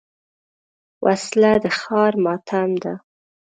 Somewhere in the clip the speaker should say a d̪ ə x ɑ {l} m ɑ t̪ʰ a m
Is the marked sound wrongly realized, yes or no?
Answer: yes